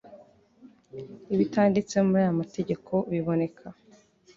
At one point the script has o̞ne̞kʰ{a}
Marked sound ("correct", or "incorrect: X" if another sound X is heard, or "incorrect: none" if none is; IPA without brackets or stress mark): correct